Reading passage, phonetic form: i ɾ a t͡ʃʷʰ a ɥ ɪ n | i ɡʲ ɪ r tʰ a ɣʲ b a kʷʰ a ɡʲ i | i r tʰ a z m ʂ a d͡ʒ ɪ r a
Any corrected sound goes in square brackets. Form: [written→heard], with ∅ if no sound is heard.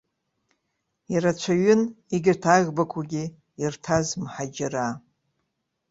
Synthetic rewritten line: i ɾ a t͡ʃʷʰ a ɥ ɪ n | i ɡʲ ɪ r tʰ a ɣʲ b a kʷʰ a ɡʲ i | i r tʰ a z m [ʂ→ħ] a d͡ʒ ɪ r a